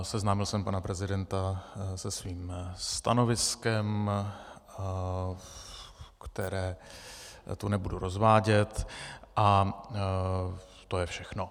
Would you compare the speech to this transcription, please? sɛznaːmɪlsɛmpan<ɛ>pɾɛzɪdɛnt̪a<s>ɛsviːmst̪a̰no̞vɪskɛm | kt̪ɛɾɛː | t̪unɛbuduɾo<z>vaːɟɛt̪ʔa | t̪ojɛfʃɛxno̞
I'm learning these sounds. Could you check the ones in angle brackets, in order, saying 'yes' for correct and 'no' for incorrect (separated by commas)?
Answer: no, yes, yes